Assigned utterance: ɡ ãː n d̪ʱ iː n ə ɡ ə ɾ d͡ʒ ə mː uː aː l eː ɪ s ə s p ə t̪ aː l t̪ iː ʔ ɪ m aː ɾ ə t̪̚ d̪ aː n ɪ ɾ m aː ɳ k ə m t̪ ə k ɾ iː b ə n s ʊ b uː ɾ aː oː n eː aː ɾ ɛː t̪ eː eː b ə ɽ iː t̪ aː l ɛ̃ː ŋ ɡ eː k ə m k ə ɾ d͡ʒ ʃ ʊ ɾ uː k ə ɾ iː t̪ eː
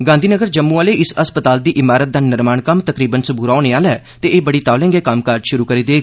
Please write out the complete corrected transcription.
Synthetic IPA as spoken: ɡ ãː n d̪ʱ iː n ə ɡ ə ɾ d͡ʒ ə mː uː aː l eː ɪ s ə s p ə t̪ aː l d̪ iː ʔ ɪ m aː ɾ ə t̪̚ d̪ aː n ɪ ɾ m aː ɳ k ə m t̪ ə k ɾ iː b ə n s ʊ b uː ɾ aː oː n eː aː l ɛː t̪ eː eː b ə ɽ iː t̪ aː l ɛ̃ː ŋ ɡ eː k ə m k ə ɾ d͡ʒ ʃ ʊ ɾ uː k ə ɾ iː d̪ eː

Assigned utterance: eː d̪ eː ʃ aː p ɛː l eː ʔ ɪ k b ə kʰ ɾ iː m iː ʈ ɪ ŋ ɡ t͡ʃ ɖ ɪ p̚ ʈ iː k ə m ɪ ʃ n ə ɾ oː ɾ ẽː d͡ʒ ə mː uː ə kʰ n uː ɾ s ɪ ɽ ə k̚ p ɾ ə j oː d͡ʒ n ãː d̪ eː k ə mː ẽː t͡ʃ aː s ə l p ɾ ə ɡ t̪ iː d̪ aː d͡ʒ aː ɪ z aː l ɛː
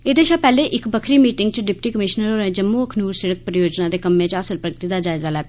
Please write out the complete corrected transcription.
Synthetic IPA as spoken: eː d̪ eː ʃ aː p ɛː l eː ʔ ɪ k b ə kʰ ɾ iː m iː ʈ ɪ ŋ ɡ t͡ʃ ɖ ɪ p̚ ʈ iː k ə m ɪ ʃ n ə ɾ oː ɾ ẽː d͡ʒ ə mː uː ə kʰ n uː ɾ s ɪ ɽ ə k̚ p ɾ ə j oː d͡ʒ n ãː d̪ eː k ə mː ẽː t͡ʃ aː s ə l p ɾ ə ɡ t̪ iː d̪ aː d͡ʒ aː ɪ z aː l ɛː

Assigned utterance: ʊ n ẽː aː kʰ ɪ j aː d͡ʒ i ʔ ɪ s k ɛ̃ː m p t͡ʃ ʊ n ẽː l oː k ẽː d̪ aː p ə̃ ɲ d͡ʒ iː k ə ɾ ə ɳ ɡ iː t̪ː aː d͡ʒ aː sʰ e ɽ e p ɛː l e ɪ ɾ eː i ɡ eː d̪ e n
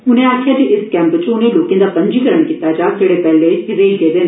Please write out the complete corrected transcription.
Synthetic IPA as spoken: ʊ n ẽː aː kʰ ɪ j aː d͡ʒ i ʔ ɪ s k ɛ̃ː m p t͡ʃ ʊ n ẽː l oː k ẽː d̪ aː p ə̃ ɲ d͡ʒ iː k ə ɾ ə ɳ k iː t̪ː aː d͡ʒ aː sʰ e ɽ e p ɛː l e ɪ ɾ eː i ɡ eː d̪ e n

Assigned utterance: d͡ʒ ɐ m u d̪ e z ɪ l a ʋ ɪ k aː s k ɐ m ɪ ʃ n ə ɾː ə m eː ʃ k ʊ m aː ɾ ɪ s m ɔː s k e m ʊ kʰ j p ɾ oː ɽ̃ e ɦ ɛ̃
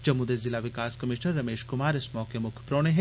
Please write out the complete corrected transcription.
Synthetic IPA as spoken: d͡ʒ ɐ m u d̪ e z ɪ l a ʋ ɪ k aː s k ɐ m ɪ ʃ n ə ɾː ɐ m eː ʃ k ʊ m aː ɾ ɪ s m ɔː k e m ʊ kʰ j p ɾ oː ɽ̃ e ɦ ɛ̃

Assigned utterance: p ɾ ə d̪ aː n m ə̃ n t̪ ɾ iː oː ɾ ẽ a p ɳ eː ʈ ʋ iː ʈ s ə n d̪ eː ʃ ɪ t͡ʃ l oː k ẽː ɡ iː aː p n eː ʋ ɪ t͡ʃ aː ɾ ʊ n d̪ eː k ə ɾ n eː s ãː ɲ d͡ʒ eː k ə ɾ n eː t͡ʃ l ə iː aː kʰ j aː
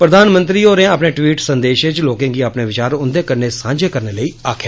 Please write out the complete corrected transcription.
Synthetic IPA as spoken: p ɾ ə d̪ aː n m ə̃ n t̪ ɾ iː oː ɾ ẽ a p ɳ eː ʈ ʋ iː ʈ s ə n d̪ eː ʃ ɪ t͡ʃ l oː k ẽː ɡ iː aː p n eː ʋ ɪ t͡ʃ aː ɾ ʊ n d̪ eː k ə ɾ n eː s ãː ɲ d͡ʒ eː k ə ɾ n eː l ə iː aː kʰ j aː

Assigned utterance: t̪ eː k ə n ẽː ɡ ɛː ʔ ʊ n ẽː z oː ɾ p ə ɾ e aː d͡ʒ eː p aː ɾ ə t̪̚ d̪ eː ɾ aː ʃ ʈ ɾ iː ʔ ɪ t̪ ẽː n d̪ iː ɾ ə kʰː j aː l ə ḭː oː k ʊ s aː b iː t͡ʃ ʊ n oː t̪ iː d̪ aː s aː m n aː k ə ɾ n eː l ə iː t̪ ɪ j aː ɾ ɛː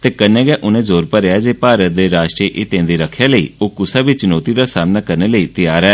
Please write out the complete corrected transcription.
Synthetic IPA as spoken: t̪ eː k ə n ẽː ɡ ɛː ʔ ʊ n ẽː z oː ɾ p ə ɾ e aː d͡ʒ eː p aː ɾ ə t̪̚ d̪ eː ɾ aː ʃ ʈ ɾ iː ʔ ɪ t̪ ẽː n d̪ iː ɾ ə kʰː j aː l ə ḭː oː k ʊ s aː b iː t͡ʃ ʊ n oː t̪ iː d̪ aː s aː m n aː k ə ɾ n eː l ə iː t̪ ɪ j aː ɾ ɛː

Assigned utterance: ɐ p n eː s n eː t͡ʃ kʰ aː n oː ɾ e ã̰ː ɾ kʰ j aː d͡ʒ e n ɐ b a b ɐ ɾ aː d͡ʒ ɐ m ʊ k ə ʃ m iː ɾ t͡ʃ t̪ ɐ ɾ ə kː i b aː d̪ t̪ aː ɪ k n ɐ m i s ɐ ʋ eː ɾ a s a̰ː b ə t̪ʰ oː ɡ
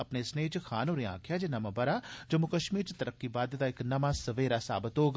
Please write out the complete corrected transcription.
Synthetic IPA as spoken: ɐ p n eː s n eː t͡ʃ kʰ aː n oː ɾ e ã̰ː kʰ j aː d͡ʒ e n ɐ m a b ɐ ɾ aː d͡ʒ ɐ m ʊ k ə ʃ m iː ɾ t͡ʃ t̪ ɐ ɾ ə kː i b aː d̪ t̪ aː ɪ k n ɐ m a s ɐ ʋ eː ɾ a s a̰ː b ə t̪ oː ɡ

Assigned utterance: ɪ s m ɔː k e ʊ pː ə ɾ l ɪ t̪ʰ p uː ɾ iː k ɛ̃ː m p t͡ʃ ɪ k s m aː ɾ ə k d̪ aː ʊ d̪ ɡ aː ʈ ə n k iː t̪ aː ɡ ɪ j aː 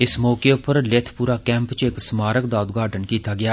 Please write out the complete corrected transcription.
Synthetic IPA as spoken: ɪ s m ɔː k e ʊ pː ə ɾ l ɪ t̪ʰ p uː ɾ aː k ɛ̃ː m p t͡ʃ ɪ k s m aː ɾ ə k d̪ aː ʊ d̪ ɡ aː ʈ ə n k iː t̪ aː ɡ ɪ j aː

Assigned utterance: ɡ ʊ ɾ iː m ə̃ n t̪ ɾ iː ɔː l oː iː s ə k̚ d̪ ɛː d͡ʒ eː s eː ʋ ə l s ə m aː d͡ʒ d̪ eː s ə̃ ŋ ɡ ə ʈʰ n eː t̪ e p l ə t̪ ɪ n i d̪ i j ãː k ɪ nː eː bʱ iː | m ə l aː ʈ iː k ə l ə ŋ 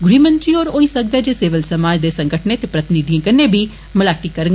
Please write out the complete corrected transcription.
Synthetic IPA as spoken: ɡ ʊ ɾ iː m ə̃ n t̪ ɾ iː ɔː ɾ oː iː s ə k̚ d̪ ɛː d͡ʒ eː s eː ʋ ə l s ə m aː d͡ʒ d̪ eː s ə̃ ŋ ɡ ə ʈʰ n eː t̪ e p ɾ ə t̪ ɪ n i d̪ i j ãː k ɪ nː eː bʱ iː | m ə l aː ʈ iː k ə ɾ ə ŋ

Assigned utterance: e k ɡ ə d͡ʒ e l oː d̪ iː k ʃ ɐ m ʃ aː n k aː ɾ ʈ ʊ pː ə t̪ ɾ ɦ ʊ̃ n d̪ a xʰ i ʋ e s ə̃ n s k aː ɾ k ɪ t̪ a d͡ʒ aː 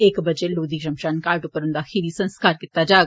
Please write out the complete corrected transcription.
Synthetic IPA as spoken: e k b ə d͡ʒ e l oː d̪ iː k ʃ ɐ m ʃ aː n k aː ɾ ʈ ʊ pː ə ɾ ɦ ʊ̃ n d̪ a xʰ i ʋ i s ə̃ n s k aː ɾ k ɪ t̪ a d͡ʒ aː

